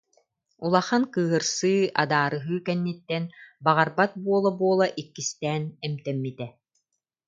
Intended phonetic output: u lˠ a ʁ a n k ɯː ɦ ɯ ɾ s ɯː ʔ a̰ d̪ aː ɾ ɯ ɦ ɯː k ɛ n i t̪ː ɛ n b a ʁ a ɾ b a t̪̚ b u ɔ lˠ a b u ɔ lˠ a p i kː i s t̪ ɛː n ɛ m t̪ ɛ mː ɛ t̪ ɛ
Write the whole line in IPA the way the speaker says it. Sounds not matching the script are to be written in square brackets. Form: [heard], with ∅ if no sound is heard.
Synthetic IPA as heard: u lˠ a [χ] a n k ɯː ɦ ɯ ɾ s ɯː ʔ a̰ d̪ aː ɾ ɯ ɦ ɯː k ɛ [nː] i t̪ː ɛ n b a ʁ a ɾ b a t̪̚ b u ɔ lˠ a b u ɔ lˠ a [ʔ] i kː i s t̪ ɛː n ɛ m t̪ ɛ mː [i] t̪ ɛ